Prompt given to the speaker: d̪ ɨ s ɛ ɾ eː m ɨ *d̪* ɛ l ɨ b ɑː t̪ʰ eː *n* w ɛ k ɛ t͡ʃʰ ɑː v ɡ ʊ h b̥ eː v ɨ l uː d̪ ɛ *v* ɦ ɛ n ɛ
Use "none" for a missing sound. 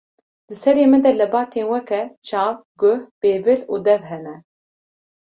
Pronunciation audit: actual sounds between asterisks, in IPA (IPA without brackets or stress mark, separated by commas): d̪, n, v